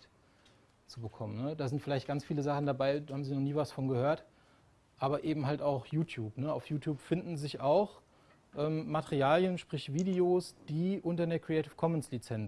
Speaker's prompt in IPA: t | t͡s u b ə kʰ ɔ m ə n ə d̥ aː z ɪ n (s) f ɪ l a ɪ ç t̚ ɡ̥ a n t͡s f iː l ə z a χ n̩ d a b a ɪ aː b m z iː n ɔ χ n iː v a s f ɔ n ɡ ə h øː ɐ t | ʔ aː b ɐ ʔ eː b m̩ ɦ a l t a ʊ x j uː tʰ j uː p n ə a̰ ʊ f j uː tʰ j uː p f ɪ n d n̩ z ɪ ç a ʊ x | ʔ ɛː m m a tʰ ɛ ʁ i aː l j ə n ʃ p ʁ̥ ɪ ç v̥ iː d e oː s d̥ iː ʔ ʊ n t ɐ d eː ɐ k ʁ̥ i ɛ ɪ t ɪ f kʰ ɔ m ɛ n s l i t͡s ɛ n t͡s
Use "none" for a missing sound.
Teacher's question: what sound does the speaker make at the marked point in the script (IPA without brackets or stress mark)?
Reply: t